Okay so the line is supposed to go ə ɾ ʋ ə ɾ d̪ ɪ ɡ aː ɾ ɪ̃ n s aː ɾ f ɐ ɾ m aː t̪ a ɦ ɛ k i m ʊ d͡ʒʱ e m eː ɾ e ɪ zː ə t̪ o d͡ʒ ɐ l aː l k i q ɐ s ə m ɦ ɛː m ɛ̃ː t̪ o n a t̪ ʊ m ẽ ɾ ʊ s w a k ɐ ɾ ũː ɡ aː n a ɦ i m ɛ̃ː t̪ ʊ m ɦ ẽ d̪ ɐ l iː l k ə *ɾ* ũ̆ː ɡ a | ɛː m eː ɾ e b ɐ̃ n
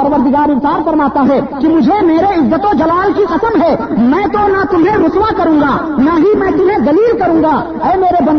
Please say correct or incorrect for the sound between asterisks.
correct